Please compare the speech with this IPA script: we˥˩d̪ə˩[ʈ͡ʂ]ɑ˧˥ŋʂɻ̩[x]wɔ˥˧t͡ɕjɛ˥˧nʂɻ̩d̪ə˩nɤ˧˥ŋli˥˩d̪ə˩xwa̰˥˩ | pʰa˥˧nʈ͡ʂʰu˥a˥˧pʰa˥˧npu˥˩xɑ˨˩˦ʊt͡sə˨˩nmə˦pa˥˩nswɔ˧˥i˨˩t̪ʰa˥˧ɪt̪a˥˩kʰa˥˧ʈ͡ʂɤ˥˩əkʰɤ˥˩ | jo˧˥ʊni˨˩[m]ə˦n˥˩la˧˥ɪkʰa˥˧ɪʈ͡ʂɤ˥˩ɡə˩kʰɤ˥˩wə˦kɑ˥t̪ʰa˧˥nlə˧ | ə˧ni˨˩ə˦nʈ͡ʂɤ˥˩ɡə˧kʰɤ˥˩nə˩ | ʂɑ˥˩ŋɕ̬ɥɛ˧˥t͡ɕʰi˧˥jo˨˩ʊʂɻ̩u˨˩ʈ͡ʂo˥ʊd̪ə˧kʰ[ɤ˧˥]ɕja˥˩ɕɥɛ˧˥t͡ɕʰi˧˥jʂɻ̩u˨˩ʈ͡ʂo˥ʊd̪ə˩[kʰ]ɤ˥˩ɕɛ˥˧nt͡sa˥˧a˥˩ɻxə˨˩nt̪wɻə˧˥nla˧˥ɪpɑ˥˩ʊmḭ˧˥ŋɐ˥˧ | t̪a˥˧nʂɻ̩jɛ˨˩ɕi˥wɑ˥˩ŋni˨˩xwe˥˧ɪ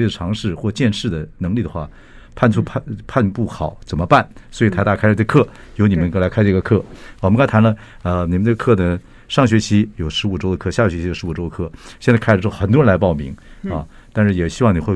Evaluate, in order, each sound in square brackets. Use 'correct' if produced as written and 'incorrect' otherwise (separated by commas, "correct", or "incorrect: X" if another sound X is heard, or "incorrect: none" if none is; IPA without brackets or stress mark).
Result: incorrect: ʈ͡ʂʰ, correct, correct, incorrect: ɤ˥˧, correct